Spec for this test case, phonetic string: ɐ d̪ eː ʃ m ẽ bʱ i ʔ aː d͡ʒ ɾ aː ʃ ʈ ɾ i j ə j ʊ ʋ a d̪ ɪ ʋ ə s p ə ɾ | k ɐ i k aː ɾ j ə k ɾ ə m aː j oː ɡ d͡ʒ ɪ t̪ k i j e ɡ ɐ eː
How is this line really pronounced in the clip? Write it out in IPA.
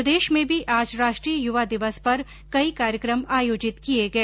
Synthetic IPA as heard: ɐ d̪ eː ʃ m ẽ bʱ i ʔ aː d͡ʒ ɾ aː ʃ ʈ ɾ i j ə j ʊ ʋ a d̪ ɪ ʋ ə s p ɐ ɾ | k ɐ i k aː ɾ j ə k ɾ ə m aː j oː d͡ʒ ɪ t̪ k i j e ɡ ɐ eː